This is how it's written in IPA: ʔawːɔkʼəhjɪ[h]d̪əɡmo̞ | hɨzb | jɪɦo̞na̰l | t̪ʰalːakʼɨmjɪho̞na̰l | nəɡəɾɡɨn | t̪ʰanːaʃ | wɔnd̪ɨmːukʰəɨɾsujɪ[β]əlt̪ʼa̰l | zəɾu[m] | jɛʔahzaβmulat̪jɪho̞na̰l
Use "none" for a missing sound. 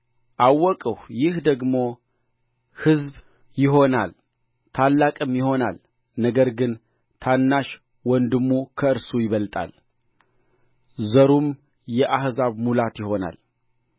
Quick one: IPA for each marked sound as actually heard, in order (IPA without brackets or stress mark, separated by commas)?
h, β, m